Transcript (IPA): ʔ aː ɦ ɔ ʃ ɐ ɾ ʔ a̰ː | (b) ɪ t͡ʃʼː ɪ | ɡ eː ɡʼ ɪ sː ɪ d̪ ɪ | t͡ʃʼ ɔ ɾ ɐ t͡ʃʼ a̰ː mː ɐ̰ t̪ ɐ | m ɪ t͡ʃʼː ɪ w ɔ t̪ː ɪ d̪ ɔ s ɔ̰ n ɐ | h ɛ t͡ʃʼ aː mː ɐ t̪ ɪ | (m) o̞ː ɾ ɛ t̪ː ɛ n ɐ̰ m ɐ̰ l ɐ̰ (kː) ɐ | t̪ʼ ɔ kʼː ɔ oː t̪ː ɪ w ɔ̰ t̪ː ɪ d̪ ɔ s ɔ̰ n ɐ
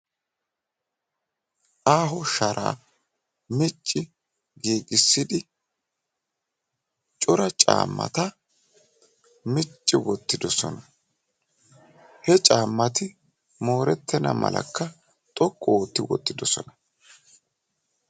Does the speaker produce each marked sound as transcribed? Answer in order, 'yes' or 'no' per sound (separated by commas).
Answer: no, yes, yes